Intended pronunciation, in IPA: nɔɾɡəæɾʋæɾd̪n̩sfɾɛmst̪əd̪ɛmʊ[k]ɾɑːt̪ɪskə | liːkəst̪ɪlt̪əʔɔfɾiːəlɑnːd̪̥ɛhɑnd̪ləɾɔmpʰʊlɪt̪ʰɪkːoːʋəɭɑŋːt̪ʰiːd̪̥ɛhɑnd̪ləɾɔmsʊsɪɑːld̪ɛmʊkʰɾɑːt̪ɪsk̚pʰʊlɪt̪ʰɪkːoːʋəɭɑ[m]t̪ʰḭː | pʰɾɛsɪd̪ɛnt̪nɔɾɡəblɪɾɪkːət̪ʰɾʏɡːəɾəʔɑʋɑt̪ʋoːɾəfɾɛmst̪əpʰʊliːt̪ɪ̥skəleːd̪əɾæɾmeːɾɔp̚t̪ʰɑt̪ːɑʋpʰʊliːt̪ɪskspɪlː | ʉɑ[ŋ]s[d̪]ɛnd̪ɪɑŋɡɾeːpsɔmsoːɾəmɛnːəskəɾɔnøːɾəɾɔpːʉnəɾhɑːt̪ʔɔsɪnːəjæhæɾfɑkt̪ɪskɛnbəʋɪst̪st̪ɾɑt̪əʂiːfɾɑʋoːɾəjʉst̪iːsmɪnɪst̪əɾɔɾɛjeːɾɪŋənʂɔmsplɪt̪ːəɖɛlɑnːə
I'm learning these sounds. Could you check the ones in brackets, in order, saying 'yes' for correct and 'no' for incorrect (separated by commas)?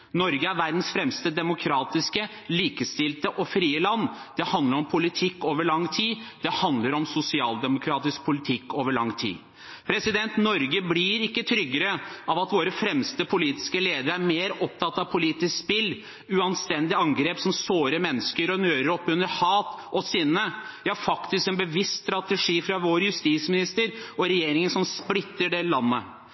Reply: no, no, no, no